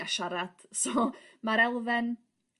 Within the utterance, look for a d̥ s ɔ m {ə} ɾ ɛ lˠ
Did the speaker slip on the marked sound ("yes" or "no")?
yes